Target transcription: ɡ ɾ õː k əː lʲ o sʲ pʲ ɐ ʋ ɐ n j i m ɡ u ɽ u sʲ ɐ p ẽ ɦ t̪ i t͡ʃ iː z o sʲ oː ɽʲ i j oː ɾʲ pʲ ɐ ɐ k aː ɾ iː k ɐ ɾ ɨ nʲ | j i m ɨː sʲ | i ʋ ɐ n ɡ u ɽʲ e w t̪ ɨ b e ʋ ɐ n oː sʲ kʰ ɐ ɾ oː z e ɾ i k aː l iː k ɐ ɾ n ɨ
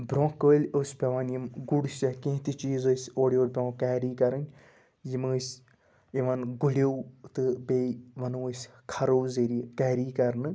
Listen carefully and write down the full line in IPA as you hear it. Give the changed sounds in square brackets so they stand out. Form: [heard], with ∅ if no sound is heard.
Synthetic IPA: [b] ɾ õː k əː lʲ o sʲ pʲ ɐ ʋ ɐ n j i m ɡ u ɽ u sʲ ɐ [k] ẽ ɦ t̪ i t͡ʃ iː z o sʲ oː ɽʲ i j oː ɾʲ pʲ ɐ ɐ k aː ɾ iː k ɐ ɾ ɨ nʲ | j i m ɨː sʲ | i ʋ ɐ n ɡ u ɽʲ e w t̪ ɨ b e ʋ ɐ n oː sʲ kʰ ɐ ɾ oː z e ɾ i k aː [ɾ] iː k ɐ ɾ n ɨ